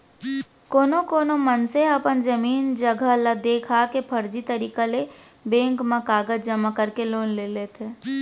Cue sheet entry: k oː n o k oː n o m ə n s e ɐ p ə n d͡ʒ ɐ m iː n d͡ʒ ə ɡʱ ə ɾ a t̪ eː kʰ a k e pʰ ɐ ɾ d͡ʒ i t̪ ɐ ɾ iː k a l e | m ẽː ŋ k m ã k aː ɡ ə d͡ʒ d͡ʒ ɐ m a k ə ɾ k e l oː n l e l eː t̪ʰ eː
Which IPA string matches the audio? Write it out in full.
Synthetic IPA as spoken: k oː n o k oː n o m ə n s e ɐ p ə n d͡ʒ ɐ m iː n d͡ʒ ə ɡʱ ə l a d̪ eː kʰ a k e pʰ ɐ ɾ d͡ʒ i t̪ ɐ ɾ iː k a l e | b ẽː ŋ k m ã k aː ɡ ə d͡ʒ d͡ʒ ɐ m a k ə ɾ k e l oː n l e l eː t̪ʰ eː